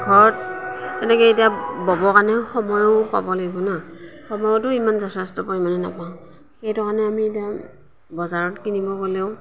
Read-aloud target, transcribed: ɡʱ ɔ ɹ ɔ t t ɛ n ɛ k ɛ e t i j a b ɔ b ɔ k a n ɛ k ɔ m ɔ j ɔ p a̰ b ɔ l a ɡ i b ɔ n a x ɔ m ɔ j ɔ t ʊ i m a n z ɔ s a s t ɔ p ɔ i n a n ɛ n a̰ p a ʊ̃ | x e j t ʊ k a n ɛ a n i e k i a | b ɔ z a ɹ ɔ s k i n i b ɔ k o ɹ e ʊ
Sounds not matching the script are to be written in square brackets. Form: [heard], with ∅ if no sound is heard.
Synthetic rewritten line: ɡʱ ɔ ɹ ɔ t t ɛ n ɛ k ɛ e t i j a b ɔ b ɔ k a n ɛ [x] ɔ m ɔ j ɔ p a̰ b ɔ l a ɡ i b ɔ n a x ɔ m ɔ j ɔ t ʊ i m a n z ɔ s a s t ɔ p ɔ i [m] a n ɛ n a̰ p a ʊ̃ | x e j t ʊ k a n ɛ a [m] i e [t] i a | b ɔ z a ɹ ɔ [t] k i n i b ɔ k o [l] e ʊ

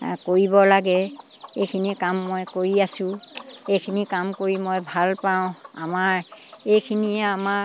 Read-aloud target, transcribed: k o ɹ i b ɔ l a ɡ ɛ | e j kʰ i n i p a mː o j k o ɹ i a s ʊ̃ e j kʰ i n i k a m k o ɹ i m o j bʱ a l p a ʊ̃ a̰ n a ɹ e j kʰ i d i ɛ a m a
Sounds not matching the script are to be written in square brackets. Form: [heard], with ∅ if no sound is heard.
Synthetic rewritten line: k o ɹ i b ɔ l a ɡ ɛ | e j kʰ i n i [k] a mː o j k o ɹ i a s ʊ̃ e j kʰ i n i k a m k o ɹ i m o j bʱ a l p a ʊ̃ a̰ [m] a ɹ e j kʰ i [n] i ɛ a m a

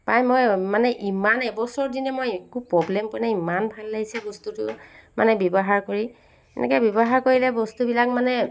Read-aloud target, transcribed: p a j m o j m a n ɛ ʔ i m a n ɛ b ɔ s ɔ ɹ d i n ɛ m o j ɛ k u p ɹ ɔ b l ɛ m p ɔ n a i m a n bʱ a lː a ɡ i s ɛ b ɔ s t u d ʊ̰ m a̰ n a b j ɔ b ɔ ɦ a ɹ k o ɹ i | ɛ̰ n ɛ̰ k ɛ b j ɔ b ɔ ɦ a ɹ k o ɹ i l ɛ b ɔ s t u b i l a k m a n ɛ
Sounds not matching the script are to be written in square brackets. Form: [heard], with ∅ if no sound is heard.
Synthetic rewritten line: p a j m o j m a n ɛ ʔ i m a n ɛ b ɔ s ɔ ɹ d i n ɛ m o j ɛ k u p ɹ ɔ b l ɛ m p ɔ n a i m a n bʱ a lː a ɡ i s ɛ b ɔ s t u [t] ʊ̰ m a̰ n [ɛ] b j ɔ b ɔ ɦ a ɹ k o ɹ i | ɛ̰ n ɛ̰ k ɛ b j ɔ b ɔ ɦ a ɹ k o ɹ i l ɛ b ɔ s t u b i l a k m a n ɛ

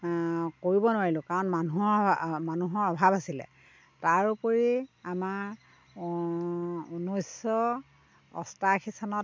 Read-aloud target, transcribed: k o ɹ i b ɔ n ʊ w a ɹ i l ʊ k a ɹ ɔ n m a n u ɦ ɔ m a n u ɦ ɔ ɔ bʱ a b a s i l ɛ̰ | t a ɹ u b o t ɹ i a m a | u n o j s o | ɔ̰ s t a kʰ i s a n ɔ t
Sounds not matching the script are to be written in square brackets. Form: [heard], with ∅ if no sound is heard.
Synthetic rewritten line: k o ɹ i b ɔ n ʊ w a ɹ i l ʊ k a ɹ ɔ n m a n u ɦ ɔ m a n u ɦ ɔ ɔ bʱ a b a s i l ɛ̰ | t a ɹ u [p] o [∅] ɹ i a m a | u n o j s [ɔ] | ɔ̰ s t a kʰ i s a n ɔ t

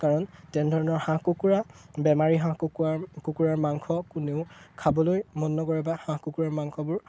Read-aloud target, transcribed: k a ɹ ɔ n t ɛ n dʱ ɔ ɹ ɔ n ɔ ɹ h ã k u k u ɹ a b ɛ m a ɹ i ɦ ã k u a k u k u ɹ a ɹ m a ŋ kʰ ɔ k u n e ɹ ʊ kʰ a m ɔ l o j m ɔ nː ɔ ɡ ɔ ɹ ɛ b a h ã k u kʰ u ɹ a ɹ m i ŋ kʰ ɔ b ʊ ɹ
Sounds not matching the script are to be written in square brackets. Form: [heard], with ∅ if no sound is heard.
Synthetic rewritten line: k a ɹ ɔ n t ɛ n dʱ ɔ ɹ ɔ n ɔ ɹ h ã k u k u ɹ a b ɛ m a ɹ i ɦ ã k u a k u k u ɹ a ɹ m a ŋ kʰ ɔ k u n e [∅] ʊ kʰ a [b] ɔ l o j m ɔ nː ɔ ɡ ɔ ɹ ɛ b a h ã k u [k] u ɹ a ɹ m [a] ŋ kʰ ɔ b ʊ ɹ

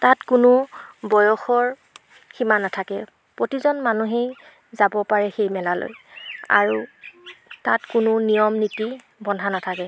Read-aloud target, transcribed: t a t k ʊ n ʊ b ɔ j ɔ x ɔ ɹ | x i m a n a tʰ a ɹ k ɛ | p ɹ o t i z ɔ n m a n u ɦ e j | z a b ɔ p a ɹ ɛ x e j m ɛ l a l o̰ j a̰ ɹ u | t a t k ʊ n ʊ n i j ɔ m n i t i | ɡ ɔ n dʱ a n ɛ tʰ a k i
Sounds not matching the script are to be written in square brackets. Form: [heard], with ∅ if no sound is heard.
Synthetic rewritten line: t a t k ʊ n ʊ b ɔ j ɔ x ɔ ɹ | x i m a n a tʰ a [∅] k ɛ | p ɹ o t i z ɔ n m a n u ɦ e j | z a b ɔ p a ɹ ɛ x e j m ɛ l a l o̰ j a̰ ɹ u | t a t k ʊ n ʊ n i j ɔ m n i t i | [b] ɔ n dʱ a n [a] tʰ a k [ɛ]

